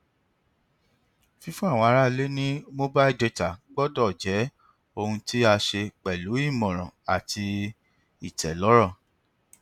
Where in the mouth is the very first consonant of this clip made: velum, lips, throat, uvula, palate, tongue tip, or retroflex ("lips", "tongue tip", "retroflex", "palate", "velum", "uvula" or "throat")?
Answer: lips